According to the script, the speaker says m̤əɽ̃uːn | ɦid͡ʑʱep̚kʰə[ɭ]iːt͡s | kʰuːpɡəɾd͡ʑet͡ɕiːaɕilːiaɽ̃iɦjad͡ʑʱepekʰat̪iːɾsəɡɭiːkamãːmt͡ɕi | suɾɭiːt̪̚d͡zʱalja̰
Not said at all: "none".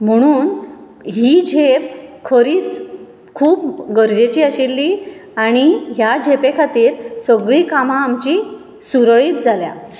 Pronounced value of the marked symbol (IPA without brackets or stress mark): ɾ